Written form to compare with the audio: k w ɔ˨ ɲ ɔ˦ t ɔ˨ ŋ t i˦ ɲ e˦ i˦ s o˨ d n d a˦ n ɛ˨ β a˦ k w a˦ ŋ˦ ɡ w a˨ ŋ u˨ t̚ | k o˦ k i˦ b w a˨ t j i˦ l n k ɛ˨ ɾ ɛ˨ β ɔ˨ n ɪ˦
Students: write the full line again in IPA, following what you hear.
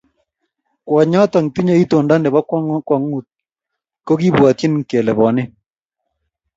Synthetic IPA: k w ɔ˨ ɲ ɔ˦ t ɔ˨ ŋ t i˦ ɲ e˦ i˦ t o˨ n d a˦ n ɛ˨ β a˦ k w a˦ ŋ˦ k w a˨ ŋ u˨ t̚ | k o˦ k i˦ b w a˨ t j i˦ n k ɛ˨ l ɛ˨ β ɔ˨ n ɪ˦